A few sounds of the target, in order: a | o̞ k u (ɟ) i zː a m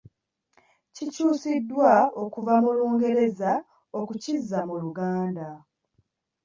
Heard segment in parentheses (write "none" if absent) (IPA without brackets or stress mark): c